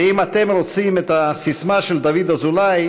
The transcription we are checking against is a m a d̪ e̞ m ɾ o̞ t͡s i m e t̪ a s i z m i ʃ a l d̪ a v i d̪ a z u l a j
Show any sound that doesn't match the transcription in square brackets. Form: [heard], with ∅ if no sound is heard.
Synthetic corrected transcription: [i] m a [t̪] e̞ m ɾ o̞ t͡s i m e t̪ a s i [s] m [a] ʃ [e] l d̪ a v i d̪ a z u l a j